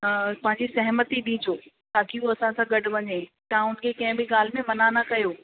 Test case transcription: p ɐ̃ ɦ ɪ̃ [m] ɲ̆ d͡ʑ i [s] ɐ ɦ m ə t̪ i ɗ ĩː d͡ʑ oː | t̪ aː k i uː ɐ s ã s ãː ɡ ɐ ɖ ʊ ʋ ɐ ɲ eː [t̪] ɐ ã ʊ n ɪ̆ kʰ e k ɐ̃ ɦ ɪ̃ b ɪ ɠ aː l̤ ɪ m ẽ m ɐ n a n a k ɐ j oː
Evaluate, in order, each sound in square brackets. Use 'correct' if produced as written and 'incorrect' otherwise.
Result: incorrect, correct, correct

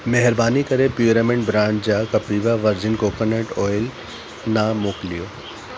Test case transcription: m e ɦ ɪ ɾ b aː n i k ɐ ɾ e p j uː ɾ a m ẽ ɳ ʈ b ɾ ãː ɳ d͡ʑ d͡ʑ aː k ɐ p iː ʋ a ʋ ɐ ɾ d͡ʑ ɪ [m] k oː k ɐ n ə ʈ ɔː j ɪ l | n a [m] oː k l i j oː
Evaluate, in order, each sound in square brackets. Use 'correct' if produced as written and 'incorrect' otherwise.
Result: incorrect, correct

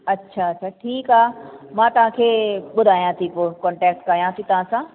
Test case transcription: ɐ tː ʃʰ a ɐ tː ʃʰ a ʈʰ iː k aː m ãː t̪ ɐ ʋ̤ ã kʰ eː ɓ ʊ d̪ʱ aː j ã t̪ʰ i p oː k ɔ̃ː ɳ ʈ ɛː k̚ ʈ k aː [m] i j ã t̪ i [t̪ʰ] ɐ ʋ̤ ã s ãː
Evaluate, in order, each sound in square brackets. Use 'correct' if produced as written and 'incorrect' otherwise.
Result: incorrect, incorrect

